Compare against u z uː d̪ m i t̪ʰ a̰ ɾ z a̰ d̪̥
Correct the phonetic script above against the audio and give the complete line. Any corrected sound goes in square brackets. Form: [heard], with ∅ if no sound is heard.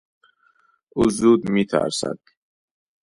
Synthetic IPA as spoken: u z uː d̪ m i t̪ʰ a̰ ɾ [s] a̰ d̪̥

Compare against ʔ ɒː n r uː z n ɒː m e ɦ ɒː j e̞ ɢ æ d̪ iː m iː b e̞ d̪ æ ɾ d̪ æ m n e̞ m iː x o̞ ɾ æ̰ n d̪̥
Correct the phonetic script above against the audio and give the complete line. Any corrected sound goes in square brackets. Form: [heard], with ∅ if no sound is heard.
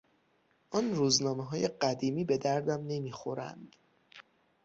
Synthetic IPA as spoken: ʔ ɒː n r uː z n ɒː m e ɦ ɒː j e̞ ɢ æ d̪ iː m iː b e̞ d̪ æ ɾ d̪ æ m n e̞ m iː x o̞ ɾ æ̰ n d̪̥

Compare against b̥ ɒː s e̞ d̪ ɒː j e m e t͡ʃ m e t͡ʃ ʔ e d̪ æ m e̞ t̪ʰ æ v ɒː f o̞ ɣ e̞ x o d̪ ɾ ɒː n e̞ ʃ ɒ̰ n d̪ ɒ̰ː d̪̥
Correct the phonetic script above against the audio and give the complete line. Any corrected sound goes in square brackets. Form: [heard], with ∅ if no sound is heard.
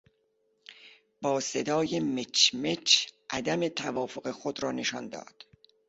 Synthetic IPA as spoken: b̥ ɒː s e̞ d̪ ɒː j e m e t͡ʃ m e t͡ʃ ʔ [æ] d̪ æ m e̞ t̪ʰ æ v ɒː f o̞ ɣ e̞ x o d̪ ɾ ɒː n e̞ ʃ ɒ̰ n d̪ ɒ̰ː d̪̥

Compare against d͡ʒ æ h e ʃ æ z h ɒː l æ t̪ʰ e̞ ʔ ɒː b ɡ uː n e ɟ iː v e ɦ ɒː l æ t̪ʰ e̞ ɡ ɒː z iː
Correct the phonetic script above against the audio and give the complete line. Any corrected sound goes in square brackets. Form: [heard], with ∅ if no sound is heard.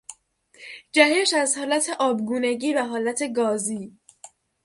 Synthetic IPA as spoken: d͡ʒ æ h e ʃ æ z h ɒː l æ t̪ʰ e̞ ʔ ɒː b ɡ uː n e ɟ iː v [æ] ɦ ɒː l æ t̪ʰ e̞ ɡ ɒː z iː

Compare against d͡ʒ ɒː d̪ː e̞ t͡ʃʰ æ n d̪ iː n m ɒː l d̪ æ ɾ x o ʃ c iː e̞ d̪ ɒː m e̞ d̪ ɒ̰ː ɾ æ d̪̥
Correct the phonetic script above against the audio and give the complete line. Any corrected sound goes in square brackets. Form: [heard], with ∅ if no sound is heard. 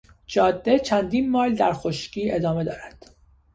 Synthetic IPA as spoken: d͡ʒ ɒː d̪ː e̞ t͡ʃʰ æ n d̪ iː n m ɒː l d̪ æ ɾ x o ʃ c iː e̞ d̪ ɒː m e̞ d̪ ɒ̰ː ɾ æ d̪̥

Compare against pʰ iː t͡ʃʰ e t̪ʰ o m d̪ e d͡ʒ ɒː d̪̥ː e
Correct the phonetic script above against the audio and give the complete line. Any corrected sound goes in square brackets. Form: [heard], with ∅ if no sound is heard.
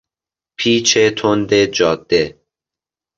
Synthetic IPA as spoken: pʰ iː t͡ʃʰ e t̪ʰ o [n] d̪ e d͡ʒ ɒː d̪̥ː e

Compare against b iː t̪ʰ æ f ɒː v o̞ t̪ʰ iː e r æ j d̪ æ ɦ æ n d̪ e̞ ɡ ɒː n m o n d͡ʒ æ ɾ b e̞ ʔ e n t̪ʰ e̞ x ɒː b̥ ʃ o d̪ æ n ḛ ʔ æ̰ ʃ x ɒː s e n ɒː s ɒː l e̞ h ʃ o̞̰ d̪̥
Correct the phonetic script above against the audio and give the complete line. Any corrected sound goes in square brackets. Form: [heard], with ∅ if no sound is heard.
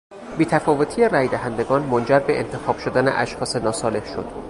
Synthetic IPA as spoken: b iː t̪ʰ æ f ɒː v o̞ t̪ʰ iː e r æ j d̪ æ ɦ æ n d̪ e̞ ɡ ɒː n m o n d͡ʒ æ ɾ b e̞ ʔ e n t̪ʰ e̞ x ɒː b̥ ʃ o d̪ æ n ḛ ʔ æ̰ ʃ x ɒː s e n ɒː s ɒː l e̞ h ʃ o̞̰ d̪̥

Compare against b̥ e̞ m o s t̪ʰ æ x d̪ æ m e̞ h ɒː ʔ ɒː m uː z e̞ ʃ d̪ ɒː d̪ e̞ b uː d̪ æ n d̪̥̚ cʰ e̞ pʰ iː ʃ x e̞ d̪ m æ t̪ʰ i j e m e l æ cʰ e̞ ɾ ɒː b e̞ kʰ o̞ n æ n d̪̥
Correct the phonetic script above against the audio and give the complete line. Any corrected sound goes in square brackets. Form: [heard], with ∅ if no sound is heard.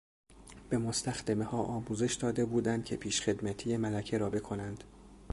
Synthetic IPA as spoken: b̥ e̞ m o s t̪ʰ æ x d̪ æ m e̞ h ɒː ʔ ɒː m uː z e̞ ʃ d̪ ɒː d̪ e̞ b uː d̪ æ n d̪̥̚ cʰ e̞ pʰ iː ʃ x e̞ d̪ m æ t̪ʰ i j e m [æ] l æ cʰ e̞ ɾ ɒː b e̞ kʰ o̞ n æ n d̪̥

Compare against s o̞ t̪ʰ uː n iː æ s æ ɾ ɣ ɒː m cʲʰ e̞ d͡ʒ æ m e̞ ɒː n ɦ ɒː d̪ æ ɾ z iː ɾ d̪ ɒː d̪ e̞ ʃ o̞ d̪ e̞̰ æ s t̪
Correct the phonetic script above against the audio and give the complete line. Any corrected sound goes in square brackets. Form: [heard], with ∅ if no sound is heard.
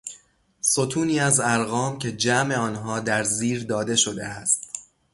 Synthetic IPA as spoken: s o̞ t̪ʰ uː n iː æ [z] æ ɾ ɣ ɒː m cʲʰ e̞ d͡ʒ æ m e̞ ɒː n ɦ ɒː d̪ æ ɾ z iː ɾ d̪ ɒː d̪ e̞ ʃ o̞ d̪ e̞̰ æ s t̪

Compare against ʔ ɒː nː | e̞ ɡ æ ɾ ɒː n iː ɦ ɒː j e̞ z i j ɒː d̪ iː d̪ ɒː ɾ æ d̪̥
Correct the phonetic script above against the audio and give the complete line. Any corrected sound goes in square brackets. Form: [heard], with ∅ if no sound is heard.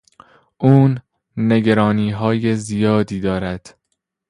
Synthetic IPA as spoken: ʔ [uː] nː | e̞ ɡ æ ɾ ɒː n iː ɦ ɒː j e̞ z i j ɒː d̪ iː d̪ ɒː ɾ æ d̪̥

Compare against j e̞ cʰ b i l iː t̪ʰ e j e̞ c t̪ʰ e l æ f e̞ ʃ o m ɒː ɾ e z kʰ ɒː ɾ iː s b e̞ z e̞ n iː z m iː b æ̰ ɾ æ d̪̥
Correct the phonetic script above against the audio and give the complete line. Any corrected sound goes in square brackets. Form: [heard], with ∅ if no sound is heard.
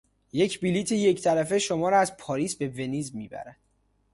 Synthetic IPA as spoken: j e̞ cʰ b i l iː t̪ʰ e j e̞ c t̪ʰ [æ] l æ f e̞ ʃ o m ɒː ɾ [æ] z [pʰ] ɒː ɾ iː s b e̞ [v] e̞ n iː z m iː b æ̰ ɾ æ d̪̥

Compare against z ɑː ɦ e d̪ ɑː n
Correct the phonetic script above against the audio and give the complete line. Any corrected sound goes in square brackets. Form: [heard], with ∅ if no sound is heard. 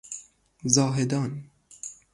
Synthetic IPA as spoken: z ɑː ɦ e d̪ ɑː n

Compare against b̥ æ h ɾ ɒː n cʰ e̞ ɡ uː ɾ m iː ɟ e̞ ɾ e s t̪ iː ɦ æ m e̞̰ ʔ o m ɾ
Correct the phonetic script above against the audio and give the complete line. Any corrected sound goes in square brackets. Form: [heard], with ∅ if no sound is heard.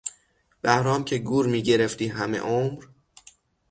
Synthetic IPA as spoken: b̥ æ h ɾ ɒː [m] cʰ e̞ ɡ uː ɾ m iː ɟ e̞ ɾ e [f] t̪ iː ɦ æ m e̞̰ ʔ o m ɾ

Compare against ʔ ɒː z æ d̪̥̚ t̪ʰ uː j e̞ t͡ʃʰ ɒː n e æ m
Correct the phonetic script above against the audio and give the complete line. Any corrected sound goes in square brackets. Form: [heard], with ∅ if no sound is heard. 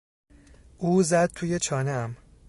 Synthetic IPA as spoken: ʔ [uː] z æ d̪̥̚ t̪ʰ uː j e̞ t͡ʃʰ ɒː n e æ m

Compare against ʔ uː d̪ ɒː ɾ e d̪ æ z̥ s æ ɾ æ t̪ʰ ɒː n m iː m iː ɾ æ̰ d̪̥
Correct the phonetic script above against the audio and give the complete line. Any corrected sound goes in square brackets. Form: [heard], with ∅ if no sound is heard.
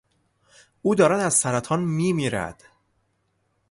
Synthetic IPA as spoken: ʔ uː d̪ ɒː ɾ [æ] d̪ æ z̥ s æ ɾ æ t̪ʰ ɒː n m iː m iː ɾ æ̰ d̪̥

